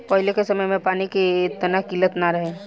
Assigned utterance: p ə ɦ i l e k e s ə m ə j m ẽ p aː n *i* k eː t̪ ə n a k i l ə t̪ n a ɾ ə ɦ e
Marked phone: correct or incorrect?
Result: correct